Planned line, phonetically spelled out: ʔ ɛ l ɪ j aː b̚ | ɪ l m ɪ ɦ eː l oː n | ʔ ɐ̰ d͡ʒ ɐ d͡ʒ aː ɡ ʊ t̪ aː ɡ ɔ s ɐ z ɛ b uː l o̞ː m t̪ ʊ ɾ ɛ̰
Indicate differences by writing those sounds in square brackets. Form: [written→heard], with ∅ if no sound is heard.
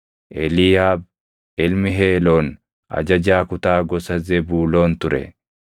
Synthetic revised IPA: ʔ ɛ l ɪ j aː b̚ | ɪ l m ɪ ɦ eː l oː n | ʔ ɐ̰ d͡ʒ ɐ d͡ʒ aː [ɡ→k] ʊ t̪ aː ɡ ɔ s ɐ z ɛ b uː l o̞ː [m→n] t̪ ʊ ɾ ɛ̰

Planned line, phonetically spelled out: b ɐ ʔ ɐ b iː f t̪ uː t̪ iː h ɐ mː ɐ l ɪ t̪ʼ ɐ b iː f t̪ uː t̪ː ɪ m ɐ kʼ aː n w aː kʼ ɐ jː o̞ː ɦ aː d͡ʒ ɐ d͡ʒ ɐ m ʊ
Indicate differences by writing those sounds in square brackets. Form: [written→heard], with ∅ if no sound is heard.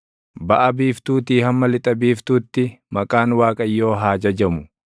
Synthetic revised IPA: b ɐ ʔ ɐ b iː f t̪ uː t̪ iː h ɐ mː ɐ l ɪ t̪ʼ ɐ b iː f t̪ uː t̪ː ɪ m ɐ kʼ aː n w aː kʼ ɐ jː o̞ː ɦ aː d͡ʒ ɐ d͡ʒ ɐ m ʊ

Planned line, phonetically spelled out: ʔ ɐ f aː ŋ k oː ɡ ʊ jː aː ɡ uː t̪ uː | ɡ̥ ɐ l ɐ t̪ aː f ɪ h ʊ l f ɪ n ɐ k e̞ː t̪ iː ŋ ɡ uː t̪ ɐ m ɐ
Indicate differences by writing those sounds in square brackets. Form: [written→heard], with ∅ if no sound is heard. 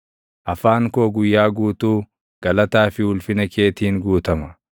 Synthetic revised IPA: ʔ ɐ f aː ŋ k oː ɡ ʊ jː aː ɡ uː t̪ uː | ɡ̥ ɐ l ɐ t̪ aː f ɪ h ʊ l f ɪ n ɐ k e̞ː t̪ iː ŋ ɡ uː t̪ ɐ m ɐ

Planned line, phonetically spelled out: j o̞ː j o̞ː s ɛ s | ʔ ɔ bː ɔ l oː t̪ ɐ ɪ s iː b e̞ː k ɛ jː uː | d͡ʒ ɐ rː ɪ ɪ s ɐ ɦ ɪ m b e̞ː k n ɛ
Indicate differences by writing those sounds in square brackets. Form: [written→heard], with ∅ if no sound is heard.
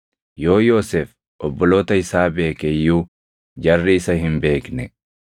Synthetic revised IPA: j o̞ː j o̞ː s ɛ [s→f] | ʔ ɔ bː ɔ l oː t̪ ɐ ɪ s [iː→aː] b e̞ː k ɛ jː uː | d͡ʒ ɐ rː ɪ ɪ s ɐ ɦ ɪ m b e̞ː k n ɛ

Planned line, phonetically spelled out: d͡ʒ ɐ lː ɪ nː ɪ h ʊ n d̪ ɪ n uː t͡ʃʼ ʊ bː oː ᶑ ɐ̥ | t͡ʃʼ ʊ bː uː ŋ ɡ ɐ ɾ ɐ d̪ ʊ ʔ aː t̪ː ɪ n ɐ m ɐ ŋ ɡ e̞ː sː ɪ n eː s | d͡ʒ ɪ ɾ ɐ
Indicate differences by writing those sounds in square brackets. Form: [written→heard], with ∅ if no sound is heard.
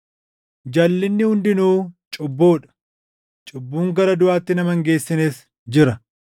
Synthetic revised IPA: d͡ʒ ɐ lː ɪ nː ɪ h ʊ n d̪ ɪ n uː t͡ʃʼ ʊ bː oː ᶑ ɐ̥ | t͡ʃʼ ʊ bː uː ŋ ɡ ɐ ɾ ɐ d̪ ʊ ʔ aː t̪ː ɪ n ɐ m ɐ ŋ ɡ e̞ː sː ɪ n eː s | d͡ʒ ɪ ɾ ɐ

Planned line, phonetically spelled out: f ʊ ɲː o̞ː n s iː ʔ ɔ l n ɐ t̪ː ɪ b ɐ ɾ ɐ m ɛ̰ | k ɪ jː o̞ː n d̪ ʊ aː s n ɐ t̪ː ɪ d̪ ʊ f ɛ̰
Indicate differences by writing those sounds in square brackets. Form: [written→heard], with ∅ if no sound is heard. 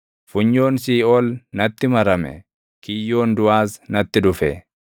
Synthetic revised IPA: f ʊ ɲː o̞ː n s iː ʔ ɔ l n ɐ t̪ː ɪ [b→m] ɐ ɾ ɐ m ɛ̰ | k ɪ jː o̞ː n d̪ ʊ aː s n ɐ t̪ː ɪ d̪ ʊ f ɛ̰

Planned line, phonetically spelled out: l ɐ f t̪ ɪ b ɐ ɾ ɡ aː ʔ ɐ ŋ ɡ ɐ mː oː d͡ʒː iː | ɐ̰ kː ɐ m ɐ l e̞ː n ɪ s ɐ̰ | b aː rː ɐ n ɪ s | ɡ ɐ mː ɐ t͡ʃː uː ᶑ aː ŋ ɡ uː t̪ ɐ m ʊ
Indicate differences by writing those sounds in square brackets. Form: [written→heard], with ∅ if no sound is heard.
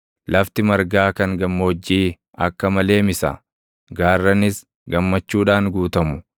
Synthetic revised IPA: l ɐ f t̪ ɪ [b→m] ɐ ɾ ɡ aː [ʔ→k] ɐ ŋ ɡ ɐ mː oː d͡ʒː iː | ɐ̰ kː ɐ m ɐ l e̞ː [n→m] ɪ s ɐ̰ | [b→ɡ] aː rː ɐ n ɪ s | ɡ ɐ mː ɐ t͡ʃː uː ᶑ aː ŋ ɡ uː t̪ ɐ m ʊ

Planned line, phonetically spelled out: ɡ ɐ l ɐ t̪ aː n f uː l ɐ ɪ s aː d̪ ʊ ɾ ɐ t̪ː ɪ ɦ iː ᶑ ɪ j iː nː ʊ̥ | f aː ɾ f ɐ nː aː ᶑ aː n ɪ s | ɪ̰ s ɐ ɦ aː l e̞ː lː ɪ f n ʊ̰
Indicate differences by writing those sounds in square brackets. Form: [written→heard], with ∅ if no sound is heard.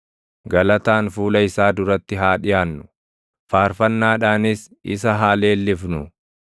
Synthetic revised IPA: ɡ ɐ l ɐ t̪ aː n f uː l ɐ ɪ s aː d̪ ʊ ɾ ɐ t̪ː ɪ ɦ [iː→aː] ᶑ ɪ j [iː→aː] nː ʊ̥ | f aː ɾ f ɐ nː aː ᶑ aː n ɪ s | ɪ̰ s ɐ ɦ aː l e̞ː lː ɪ f n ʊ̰

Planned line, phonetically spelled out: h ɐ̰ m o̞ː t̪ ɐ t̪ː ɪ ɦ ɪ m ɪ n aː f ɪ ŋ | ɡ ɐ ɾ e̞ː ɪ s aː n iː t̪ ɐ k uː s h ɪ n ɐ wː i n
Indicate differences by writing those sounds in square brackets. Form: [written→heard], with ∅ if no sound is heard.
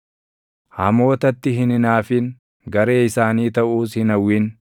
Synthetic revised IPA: h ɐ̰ m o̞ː t̪ ɐ t̪ː ɪ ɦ ɪ [m→n] ɪ n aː f ɪ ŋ | ɡ ɐ ɾ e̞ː ɪ s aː n iː t̪ ɐ [k→ʔ] uː s h ɪ n ɐ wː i n

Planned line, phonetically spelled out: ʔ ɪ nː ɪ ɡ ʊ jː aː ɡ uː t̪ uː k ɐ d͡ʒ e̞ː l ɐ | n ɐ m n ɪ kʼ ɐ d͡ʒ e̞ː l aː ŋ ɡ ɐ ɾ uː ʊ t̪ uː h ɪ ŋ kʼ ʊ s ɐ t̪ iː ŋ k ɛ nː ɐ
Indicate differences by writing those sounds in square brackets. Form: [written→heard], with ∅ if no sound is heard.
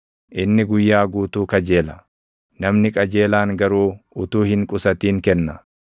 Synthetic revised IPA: ʔ ɪ nː ɪ ɡ ʊ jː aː ɡ uː t̪ uː k ɐ d͡ʒ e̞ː l ɐ | n ɐ m n ɪ kʼ ɐ d͡ʒ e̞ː l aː ŋ ɡ ɐ ɾ uː ʊ t̪ uː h ɪ ŋ kʼ ʊ s ɐ t̪ iː ŋ k ɛ nː ɐ

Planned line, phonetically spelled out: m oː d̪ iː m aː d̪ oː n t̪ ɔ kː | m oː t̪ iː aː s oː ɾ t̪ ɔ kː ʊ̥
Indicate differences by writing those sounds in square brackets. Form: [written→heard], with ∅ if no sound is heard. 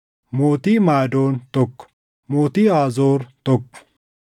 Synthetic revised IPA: m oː [d̪→t̪] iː m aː d̪ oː n t̪ ɔ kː | m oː t̪ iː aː [s→z] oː ɾ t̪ ɔ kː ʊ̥

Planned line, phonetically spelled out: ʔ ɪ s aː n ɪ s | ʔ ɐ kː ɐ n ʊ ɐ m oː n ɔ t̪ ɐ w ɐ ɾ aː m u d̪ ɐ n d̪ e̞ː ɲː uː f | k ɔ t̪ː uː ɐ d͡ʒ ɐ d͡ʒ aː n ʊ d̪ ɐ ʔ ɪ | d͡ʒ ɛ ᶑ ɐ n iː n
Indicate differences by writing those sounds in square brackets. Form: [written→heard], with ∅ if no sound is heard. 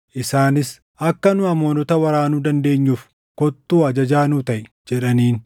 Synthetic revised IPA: ʔ ɪ s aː n ɪ s | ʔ ɐ kː ɐ n ʊ ɐ m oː n ɔ t̪ ɐ w ɐ ɾ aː [m→n] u d̪ ɐ n d̪ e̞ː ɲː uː f | k ɔ t̪ː uː ɐ d͡ʒ ɐ d͡ʒ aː n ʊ [d̪→t̪] ɐ ʔ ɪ | d͡ʒ ɛ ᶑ ɐ n iː n

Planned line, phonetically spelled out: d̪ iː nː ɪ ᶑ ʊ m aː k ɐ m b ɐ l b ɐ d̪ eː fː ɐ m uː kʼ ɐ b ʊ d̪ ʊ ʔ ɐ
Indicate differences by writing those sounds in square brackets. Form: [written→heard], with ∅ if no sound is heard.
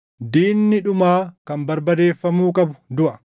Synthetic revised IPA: d̪ iː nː ɪ ᶑ ʊ m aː k ɐ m b ɐ [l→ɾ] b ɐ d̪ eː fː ɐ m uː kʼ ɐ b ʊ d̪ ʊ ʔ ɐ

